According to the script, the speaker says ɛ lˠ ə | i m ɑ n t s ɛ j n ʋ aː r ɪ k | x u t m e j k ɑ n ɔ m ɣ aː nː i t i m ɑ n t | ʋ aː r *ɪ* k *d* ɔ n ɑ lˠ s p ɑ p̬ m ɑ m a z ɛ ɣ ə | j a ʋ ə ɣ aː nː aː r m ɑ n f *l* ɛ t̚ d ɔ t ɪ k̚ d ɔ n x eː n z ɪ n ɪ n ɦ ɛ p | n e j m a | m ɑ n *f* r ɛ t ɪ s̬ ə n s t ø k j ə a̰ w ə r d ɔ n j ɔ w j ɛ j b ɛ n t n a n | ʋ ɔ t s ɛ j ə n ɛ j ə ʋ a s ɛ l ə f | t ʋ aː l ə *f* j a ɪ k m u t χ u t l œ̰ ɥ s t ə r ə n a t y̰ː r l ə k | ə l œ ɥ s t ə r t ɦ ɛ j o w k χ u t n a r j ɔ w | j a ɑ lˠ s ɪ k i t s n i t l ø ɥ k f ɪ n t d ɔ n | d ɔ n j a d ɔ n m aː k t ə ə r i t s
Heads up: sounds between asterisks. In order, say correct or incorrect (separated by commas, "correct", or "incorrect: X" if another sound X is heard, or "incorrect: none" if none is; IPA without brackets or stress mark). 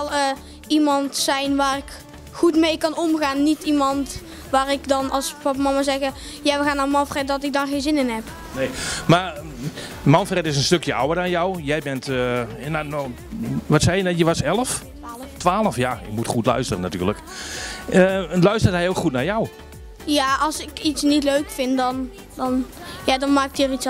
correct, correct, incorrect: r, correct, correct